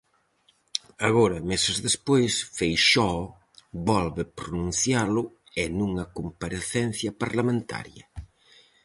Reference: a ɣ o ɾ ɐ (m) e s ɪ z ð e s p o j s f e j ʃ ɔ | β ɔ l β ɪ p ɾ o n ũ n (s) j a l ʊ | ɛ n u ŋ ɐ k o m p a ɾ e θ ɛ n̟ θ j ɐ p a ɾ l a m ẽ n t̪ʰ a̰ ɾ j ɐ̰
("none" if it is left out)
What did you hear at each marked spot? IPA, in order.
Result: m, θ

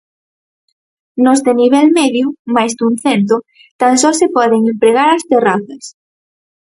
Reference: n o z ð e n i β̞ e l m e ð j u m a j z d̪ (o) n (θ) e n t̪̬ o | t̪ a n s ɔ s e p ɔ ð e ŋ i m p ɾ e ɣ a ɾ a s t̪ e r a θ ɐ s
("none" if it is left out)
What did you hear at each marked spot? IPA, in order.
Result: u, θ

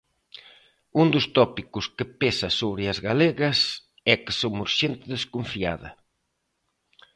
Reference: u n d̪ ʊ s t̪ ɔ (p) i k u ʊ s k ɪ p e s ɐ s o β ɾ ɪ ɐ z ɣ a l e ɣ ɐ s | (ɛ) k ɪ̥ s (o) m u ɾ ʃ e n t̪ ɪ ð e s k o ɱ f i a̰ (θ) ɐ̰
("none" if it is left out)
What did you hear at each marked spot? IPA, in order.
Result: p, ɛ, o, ð

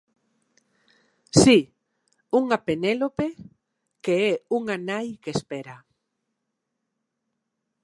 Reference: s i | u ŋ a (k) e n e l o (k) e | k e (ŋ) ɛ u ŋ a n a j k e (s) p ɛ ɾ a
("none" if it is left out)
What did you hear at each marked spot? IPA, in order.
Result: p, p, none, s

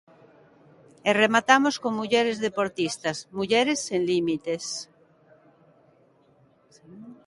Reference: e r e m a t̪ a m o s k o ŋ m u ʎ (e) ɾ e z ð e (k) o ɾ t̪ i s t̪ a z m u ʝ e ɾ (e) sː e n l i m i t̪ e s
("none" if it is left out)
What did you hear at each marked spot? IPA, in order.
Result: e, p, e

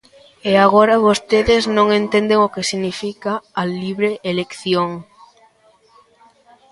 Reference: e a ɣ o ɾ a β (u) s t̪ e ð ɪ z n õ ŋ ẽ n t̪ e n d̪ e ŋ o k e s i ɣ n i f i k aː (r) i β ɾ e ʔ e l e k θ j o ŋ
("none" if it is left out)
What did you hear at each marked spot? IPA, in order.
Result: o, l

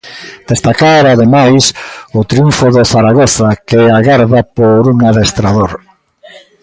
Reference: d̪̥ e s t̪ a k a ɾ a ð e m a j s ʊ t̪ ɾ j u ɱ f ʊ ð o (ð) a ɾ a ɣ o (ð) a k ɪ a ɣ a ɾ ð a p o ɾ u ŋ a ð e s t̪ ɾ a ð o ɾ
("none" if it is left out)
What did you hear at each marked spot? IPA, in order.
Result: θ, θ

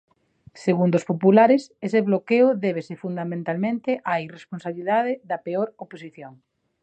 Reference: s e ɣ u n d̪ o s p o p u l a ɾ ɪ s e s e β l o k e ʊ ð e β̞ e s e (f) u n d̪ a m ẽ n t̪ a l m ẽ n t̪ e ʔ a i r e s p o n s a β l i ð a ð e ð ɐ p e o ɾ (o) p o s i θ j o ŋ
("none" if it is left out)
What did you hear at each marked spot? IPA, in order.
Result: f, o

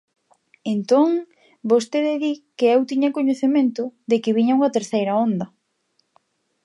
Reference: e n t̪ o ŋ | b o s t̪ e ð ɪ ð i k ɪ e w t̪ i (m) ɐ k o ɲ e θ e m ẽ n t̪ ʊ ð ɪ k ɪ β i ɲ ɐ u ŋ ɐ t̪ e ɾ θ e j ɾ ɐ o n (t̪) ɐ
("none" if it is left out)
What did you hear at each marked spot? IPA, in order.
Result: ɲ, d̪

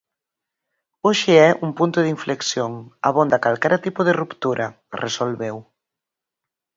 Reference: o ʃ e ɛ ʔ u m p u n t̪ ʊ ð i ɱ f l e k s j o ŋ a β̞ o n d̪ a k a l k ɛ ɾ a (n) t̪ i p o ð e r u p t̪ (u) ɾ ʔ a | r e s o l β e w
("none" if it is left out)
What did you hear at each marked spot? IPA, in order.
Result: none, u

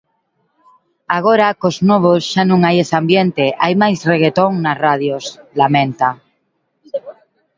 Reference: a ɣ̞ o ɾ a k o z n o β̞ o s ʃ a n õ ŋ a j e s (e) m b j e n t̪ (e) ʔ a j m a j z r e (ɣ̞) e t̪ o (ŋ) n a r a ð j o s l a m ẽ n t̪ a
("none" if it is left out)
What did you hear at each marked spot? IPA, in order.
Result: a, e, ɣ̞, ŋ

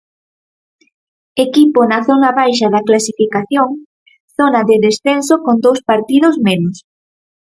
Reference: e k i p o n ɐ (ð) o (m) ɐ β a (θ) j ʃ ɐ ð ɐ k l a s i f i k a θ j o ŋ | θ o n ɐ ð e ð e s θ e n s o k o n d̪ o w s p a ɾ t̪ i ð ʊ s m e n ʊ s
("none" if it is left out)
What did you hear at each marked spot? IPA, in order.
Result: θ, n, none

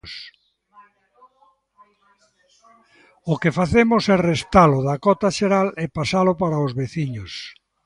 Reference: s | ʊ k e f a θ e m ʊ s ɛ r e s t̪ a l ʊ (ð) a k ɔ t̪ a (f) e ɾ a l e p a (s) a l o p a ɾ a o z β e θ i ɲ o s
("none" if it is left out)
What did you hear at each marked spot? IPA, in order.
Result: ð, ʃ, s

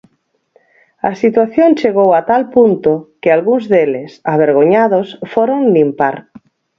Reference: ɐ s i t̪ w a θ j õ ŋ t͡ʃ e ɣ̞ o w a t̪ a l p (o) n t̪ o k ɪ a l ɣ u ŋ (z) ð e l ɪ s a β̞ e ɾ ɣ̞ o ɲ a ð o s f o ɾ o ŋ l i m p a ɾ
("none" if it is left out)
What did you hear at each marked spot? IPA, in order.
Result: u, z

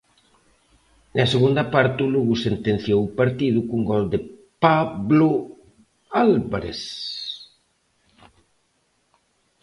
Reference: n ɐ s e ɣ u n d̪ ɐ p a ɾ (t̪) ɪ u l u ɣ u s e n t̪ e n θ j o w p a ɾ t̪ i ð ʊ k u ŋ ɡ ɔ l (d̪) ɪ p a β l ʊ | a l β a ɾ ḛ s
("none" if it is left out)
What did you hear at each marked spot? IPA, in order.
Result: t̪, d̪

